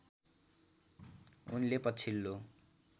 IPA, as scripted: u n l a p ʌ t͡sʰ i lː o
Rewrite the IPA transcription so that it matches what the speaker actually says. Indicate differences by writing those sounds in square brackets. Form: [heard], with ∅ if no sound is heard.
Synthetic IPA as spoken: u n l [e] p ʌ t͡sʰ i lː o